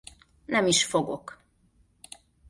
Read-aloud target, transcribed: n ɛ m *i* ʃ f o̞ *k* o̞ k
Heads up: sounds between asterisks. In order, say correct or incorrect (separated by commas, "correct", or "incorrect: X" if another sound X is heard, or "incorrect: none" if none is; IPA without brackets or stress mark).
correct, incorrect: ɡ